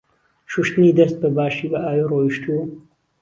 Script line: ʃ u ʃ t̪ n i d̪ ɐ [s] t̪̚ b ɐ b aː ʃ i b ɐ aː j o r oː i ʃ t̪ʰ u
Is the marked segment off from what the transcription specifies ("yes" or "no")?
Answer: no